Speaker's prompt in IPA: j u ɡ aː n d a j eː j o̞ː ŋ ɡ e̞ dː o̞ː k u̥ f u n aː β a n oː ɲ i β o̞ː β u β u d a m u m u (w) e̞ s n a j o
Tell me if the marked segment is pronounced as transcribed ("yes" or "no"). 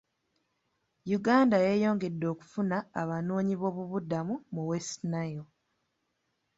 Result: yes